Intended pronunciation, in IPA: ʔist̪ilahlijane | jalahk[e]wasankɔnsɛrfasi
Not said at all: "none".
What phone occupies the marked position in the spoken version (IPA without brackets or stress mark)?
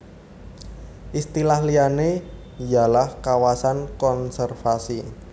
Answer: a